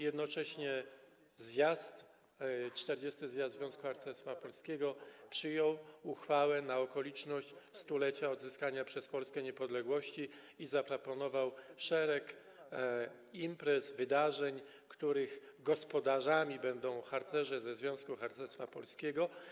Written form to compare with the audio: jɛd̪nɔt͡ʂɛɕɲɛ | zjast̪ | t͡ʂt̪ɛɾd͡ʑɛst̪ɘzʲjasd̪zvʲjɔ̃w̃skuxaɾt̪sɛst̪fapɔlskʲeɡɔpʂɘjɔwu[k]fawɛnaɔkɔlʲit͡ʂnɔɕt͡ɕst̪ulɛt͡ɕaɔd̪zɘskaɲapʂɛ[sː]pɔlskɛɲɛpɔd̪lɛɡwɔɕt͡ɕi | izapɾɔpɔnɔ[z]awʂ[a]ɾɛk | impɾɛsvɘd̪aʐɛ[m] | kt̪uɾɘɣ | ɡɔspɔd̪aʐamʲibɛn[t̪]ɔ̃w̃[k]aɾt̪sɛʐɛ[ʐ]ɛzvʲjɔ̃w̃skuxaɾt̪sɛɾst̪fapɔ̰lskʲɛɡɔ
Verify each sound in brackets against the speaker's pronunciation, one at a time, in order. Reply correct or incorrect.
incorrect, incorrect, incorrect, incorrect, incorrect, incorrect, incorrect, incorrect

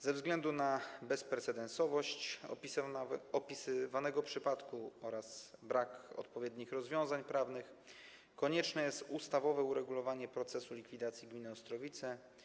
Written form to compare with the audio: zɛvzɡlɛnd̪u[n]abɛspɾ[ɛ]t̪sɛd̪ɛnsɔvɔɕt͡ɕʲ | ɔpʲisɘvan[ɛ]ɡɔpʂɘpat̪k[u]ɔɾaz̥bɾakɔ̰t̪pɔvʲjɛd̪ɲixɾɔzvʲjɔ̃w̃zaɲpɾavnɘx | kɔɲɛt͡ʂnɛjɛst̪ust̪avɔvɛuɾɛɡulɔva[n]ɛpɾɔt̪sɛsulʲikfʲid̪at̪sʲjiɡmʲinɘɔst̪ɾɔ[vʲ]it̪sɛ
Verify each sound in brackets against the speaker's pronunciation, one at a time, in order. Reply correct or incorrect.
correct, correct, correct, correct, incorrect, correct

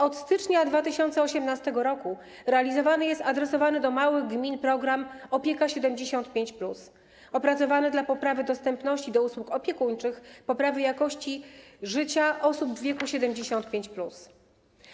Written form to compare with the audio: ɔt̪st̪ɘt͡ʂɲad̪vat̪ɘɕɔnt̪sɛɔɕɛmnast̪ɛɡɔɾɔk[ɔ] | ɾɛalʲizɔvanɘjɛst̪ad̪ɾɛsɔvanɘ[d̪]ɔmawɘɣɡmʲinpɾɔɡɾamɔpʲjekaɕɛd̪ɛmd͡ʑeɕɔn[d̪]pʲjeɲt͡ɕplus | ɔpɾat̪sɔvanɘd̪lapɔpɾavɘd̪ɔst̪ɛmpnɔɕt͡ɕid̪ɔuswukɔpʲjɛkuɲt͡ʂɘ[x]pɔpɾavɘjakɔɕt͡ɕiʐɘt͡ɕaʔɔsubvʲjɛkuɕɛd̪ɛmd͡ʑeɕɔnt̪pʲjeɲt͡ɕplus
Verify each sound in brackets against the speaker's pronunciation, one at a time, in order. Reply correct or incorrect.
incorrect, correct, incorrect, correct

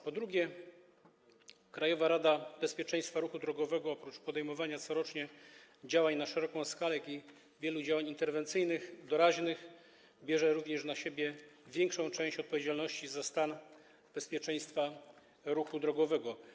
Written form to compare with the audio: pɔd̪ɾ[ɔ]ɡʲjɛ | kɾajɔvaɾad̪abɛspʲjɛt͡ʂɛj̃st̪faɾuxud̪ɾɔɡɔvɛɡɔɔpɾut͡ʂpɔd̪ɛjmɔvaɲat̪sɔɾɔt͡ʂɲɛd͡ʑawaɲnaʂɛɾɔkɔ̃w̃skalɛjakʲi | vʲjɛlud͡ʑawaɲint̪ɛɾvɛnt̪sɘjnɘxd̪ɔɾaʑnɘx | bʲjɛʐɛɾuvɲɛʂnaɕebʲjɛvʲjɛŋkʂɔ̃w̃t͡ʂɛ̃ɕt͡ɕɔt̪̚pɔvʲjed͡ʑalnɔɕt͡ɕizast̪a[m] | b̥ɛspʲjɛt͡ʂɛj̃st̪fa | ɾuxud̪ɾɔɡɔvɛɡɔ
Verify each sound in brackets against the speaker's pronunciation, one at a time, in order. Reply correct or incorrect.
incorrect, incorrect

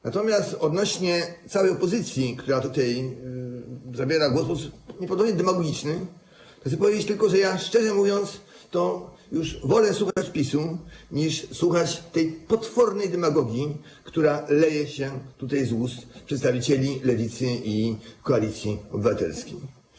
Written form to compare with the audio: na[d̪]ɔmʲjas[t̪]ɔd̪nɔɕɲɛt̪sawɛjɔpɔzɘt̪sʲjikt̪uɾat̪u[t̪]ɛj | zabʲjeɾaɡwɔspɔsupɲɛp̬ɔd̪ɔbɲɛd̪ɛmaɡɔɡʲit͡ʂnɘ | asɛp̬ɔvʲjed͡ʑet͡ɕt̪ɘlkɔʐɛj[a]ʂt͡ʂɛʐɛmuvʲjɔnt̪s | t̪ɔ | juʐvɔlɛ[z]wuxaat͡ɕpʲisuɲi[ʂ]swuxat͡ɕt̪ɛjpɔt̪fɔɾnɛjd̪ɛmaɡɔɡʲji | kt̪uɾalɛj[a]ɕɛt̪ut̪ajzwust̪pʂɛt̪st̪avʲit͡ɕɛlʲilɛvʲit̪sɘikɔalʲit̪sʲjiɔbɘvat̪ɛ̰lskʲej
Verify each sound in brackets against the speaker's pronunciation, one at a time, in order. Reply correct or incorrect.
incorrect, correct, correct, correct, incorrect, correct, incorrect

